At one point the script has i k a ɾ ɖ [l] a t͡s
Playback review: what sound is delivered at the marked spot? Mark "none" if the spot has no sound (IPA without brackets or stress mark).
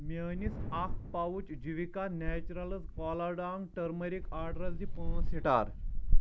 ɾ